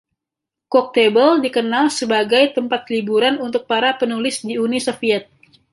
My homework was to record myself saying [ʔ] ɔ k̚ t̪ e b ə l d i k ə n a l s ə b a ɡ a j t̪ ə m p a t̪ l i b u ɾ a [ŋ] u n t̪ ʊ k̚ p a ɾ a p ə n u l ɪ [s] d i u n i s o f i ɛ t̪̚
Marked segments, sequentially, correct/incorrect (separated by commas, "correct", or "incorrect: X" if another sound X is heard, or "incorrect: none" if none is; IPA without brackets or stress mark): incorrect: k, incorrect: n, correct